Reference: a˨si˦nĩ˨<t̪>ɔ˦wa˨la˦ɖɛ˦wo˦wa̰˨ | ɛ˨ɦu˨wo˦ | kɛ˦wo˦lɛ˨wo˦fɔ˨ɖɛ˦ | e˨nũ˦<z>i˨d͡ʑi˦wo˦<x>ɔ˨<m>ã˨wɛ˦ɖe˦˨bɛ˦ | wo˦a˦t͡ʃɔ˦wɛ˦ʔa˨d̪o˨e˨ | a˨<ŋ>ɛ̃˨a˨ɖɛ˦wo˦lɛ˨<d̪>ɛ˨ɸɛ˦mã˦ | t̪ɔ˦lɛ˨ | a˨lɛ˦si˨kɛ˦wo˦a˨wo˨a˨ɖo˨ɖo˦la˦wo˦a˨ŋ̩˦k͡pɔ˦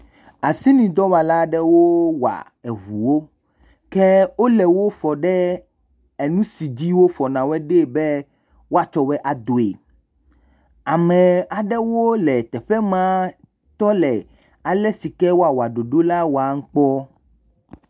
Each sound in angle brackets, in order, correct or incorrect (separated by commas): incorrect, incorrect, incorrect, incorrect, incorrect, incorrect